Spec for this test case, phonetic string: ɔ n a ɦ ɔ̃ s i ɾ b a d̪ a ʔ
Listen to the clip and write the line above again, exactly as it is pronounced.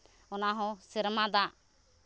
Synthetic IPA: ɔ n a ɦ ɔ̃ s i ɾ m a d̪ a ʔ

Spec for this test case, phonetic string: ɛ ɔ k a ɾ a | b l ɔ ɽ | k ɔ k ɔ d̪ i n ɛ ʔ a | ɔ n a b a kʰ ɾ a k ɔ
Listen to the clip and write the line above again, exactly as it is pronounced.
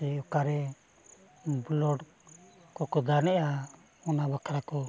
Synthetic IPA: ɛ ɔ k a ɾ ɛ | b l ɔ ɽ | k ɔ k ɔ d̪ a n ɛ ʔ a | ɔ n a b a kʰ ɾ a k ɔ

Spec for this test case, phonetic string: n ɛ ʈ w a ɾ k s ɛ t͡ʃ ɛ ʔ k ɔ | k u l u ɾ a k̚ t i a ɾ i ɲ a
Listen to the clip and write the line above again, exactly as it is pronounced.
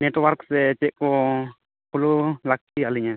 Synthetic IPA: n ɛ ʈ w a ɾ k s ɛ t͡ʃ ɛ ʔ k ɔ | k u l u l a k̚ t i a l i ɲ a

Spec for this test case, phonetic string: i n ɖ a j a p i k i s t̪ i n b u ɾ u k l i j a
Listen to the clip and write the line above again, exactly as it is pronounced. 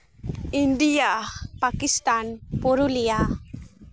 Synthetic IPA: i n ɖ i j a p a k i s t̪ a n p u ɾ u l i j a

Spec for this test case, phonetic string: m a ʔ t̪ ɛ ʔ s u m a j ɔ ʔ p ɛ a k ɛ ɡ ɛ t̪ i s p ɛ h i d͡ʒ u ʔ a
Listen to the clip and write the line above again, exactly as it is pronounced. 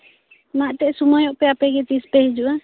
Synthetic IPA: m a ʔ t̪ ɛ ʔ s u m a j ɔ ʔ p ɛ a p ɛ ɡ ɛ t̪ i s p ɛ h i d͡ʒ u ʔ a

